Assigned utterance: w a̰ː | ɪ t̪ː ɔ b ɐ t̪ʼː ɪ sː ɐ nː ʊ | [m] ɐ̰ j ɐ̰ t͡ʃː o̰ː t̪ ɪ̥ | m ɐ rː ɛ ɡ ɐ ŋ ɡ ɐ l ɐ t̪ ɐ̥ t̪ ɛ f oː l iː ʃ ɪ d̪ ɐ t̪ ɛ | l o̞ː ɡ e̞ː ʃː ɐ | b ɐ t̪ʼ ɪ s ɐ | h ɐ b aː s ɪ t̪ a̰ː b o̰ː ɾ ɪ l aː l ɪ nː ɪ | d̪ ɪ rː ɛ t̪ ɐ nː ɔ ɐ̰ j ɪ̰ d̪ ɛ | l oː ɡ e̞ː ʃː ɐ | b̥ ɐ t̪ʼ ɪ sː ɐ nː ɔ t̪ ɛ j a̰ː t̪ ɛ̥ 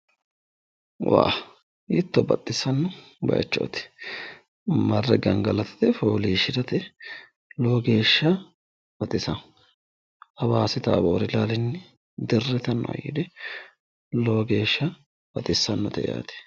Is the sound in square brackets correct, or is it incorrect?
incorrect